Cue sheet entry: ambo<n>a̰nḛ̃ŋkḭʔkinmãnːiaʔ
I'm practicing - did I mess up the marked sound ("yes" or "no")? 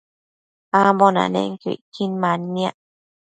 no